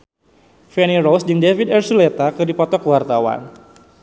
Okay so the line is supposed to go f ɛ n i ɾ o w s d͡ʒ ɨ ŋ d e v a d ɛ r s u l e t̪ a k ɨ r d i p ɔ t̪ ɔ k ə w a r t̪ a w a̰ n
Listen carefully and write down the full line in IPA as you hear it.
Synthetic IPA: f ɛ n i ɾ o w s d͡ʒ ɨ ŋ d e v i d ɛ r s u l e t̪ a k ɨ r d i p ɔ t̪ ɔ k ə w a r t̪ a w a̰ n